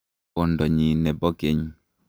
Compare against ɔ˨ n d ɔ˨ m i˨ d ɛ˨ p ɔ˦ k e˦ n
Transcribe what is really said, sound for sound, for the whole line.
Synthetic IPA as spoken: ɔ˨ n d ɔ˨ ɲ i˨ n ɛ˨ b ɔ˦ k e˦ ɲ

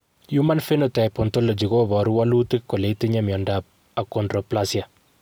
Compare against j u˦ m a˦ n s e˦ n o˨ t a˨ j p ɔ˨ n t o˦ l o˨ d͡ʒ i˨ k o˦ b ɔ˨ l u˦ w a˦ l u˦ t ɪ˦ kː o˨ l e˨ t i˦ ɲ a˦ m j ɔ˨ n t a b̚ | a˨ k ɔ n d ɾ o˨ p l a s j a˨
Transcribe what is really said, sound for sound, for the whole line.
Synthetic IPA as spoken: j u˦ m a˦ n f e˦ n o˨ t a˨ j p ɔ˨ n t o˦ l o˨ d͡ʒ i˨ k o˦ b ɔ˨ ɾ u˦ w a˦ l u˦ t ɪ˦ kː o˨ l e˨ t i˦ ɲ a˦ m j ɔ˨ n d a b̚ | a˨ k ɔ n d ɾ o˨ p l a s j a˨

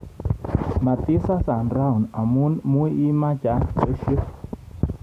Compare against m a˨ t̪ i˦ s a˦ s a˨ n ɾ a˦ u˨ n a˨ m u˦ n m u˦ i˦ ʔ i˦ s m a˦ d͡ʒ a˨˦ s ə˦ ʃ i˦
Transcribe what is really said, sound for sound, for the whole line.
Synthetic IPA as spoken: m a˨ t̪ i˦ s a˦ s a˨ n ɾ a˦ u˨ n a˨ m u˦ n m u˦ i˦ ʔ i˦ m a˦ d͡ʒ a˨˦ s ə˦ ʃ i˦

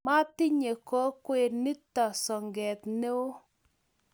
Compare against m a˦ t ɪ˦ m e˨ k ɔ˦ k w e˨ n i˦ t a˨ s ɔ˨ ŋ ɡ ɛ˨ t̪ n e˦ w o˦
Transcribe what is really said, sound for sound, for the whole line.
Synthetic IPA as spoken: m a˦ t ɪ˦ ɲ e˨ k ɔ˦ k w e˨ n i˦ t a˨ s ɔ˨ ŋ ɡ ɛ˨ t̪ n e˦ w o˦

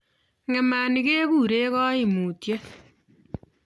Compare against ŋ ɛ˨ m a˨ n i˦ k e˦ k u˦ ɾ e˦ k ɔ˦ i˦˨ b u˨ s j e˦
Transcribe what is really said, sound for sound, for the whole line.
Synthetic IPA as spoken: ŋ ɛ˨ m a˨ n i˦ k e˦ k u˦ ɾ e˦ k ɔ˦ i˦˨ m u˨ t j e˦

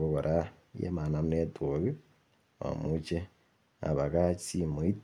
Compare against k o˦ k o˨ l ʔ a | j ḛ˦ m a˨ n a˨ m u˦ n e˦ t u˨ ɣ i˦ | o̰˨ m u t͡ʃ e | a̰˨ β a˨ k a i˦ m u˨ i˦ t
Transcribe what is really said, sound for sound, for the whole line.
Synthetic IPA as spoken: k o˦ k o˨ ɾ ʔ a | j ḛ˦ m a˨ n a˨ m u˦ n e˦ t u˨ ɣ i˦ | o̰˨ m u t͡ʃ e | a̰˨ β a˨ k a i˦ m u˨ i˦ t

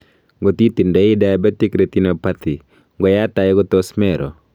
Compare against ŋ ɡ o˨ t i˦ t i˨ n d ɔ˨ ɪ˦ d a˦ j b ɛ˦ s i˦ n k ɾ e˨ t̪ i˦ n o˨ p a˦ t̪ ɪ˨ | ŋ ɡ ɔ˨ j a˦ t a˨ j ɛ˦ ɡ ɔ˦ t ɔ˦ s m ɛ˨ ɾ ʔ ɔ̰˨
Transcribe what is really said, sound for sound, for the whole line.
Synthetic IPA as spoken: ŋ ɡ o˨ t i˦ t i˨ n d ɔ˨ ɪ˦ d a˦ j b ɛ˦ t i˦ k ɾ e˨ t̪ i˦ n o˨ p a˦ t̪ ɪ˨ | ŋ ɡ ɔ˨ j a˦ t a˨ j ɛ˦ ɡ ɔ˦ t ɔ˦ s m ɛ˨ ɾ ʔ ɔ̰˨

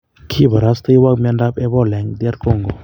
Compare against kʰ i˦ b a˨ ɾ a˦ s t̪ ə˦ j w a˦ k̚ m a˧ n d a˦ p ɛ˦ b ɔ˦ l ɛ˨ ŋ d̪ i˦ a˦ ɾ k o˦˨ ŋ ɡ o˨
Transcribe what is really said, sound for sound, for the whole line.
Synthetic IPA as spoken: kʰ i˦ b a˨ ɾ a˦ s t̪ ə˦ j w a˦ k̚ m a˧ n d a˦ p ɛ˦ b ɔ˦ l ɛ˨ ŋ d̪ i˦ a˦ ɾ k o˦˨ ŋ ɡ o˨

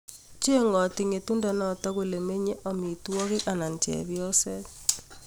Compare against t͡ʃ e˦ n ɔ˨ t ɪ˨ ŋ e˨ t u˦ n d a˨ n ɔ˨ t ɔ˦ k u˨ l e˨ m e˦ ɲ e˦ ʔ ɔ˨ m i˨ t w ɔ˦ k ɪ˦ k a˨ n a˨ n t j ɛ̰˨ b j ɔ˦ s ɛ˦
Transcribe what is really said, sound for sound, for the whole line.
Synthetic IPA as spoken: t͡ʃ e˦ ŋ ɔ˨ t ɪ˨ ŋ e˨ t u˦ n d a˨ n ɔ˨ t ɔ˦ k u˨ l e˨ m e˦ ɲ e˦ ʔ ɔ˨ m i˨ t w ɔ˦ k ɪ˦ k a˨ n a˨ n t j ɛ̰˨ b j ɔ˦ s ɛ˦

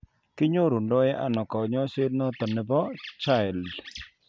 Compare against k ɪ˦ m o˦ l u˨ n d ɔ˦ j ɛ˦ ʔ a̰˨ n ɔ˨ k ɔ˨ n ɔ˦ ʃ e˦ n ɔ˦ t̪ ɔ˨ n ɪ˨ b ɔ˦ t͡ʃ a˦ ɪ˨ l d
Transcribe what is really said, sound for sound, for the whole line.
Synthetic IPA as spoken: k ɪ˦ ɲ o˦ ɾ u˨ n d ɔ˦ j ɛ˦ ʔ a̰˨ n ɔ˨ k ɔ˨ ɲ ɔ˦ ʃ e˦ n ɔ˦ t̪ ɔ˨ n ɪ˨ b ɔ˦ t͡ʃ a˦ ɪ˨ l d

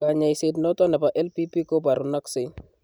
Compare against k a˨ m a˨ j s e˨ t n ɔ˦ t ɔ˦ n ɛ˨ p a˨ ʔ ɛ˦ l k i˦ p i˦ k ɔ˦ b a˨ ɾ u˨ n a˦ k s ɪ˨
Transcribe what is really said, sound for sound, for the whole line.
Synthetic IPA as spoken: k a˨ ɲ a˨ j s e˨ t n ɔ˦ t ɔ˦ n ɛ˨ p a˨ ʔ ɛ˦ l p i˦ p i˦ k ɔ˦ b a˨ ɾ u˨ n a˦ k s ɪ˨

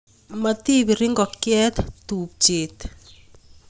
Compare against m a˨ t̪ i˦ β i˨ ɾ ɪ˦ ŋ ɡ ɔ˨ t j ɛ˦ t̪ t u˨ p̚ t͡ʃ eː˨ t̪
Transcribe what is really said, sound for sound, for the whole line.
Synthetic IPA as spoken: m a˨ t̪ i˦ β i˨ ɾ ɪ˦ ŋ ɡ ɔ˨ k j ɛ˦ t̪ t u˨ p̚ t͡ʃ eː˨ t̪

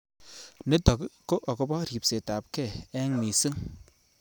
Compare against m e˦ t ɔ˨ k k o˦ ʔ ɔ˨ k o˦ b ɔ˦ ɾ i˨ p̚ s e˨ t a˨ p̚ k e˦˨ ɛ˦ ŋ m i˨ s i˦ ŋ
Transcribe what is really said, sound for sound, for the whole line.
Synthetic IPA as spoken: n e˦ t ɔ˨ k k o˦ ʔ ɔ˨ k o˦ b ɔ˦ ɾ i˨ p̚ s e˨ t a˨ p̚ k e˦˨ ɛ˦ ŋ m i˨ s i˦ ŋ

